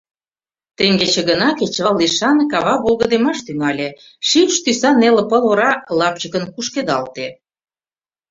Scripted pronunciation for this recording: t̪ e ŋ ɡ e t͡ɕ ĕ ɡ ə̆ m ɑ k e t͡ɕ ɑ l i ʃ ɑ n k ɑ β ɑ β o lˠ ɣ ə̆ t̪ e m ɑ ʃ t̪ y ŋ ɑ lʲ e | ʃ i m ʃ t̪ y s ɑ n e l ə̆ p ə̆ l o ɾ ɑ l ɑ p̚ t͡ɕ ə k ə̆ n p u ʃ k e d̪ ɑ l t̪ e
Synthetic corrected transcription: t̪ e ŋ ɡ e t͡ɕ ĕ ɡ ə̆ n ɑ k e t͡ɕ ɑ l i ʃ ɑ n k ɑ β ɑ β o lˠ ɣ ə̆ d̪ e m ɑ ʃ t̪ y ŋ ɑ lʲ e | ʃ i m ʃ t̪ y s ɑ n e l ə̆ p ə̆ l o ɾ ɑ l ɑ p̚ t͡ɕ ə k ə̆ n k u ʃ k e d̪ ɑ l t̪ e